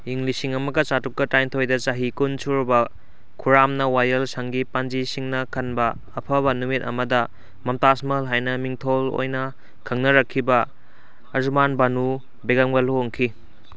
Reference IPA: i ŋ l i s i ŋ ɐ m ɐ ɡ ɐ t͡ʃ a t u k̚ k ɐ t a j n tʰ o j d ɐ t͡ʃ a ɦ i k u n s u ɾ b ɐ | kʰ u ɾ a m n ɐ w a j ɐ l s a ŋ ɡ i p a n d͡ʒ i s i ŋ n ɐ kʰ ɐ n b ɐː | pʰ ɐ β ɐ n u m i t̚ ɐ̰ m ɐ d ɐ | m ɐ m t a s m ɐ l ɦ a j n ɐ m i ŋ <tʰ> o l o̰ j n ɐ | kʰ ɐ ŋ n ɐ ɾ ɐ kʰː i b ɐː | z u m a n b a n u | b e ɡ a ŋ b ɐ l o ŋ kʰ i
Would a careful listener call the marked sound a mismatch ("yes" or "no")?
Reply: no